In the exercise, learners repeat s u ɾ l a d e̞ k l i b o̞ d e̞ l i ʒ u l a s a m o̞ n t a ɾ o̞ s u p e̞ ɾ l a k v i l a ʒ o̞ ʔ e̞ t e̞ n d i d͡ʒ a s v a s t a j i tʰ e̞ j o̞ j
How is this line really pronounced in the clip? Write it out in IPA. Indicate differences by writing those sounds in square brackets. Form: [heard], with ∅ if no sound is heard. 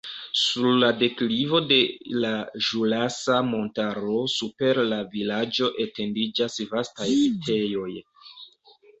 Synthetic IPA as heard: s u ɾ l a d e̞ k l i [v] o̞ d e̞ l [a] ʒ u l a s a m o̞ n t a ɾ o̞ s u p e̞ ɾ l a [∅] v i l a [d͡ʒ] o̞ ʔ e̞ t e̞ n d i d͡ʒ a s v a s t a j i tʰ e̞ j o̞ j